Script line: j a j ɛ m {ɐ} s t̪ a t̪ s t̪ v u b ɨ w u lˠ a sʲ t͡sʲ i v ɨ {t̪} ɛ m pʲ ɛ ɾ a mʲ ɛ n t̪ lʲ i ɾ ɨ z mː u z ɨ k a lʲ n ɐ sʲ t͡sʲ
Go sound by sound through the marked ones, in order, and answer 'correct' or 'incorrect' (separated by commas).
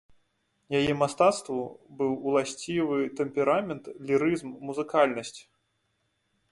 incorrect, correct